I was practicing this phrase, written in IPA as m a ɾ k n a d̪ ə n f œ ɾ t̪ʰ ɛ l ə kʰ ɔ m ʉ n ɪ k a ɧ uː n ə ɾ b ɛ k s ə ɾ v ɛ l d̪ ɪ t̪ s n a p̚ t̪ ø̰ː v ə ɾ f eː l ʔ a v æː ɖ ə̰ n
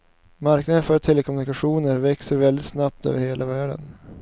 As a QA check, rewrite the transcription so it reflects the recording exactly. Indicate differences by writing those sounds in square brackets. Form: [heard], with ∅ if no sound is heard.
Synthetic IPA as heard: m a ɾ k n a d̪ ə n f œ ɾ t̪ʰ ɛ l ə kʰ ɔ m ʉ n ɪ k a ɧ uː n ə ɾ [v] ɛ k s ə ɾ v ɛ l d̪ ɪ t̪ s n a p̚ t̪ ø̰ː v ə ɾ [h] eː l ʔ a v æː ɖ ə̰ n